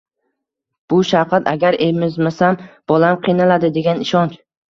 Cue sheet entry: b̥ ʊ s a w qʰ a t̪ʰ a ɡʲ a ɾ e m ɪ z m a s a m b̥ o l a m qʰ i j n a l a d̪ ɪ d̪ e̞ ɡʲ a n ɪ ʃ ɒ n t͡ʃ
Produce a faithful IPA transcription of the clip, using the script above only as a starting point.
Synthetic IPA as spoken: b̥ ʊ ʃ a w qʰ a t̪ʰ a ɡʲ a ɾ e m ɪ z m a s a m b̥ ɒ l a m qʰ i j n a l a d̪ ɪ d̪ e̞ ɡʲ a n ɪ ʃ ɒ n t͡ʃ